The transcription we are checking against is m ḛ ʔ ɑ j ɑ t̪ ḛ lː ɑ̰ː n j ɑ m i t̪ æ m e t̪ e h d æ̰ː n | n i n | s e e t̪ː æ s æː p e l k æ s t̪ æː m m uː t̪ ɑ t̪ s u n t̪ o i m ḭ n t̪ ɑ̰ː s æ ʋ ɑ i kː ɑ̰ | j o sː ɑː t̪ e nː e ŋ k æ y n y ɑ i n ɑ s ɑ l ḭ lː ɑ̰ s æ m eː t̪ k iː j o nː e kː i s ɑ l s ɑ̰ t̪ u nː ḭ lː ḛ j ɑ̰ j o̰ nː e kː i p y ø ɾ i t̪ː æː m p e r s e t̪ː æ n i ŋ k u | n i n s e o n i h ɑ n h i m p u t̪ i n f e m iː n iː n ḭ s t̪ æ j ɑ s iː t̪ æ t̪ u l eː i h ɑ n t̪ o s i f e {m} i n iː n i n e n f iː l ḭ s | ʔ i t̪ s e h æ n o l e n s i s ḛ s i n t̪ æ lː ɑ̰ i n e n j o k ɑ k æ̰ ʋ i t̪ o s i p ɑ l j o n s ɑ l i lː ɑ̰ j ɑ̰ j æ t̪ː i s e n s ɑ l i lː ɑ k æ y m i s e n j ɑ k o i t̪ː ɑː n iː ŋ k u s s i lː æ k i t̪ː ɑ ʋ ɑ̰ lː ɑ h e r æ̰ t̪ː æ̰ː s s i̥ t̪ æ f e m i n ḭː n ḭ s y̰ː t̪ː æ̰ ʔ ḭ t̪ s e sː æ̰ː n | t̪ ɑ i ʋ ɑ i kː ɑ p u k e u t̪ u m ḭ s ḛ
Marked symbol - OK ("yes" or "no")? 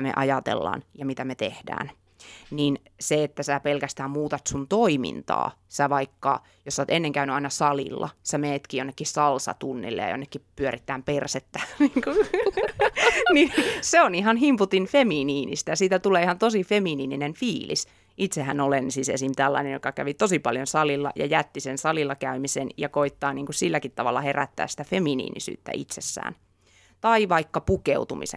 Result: yes